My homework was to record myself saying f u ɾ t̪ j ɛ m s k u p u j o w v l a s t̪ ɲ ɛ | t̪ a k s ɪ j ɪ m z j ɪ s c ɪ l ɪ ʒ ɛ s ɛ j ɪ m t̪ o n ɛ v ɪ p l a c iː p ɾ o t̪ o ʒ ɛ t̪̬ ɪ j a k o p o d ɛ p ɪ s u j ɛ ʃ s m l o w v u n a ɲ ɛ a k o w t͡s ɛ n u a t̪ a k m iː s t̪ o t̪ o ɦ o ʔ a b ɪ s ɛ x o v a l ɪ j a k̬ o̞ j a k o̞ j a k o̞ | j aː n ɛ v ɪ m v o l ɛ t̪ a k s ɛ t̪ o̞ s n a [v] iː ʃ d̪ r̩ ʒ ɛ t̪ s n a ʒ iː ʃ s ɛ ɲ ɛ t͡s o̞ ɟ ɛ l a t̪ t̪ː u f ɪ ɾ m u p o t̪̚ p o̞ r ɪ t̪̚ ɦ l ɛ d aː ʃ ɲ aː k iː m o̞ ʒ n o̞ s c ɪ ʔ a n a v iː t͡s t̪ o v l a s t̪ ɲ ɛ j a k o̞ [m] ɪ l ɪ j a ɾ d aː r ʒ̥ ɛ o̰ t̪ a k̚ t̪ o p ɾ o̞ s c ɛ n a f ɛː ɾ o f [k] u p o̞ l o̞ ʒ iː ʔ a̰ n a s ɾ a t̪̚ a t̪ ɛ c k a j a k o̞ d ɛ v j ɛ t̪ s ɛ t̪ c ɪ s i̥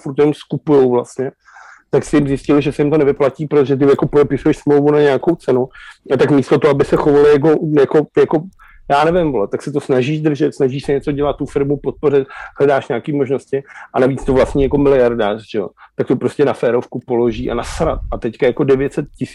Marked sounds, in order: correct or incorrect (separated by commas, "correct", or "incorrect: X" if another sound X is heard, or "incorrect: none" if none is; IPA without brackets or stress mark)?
incorrect: ʒ, correct, correct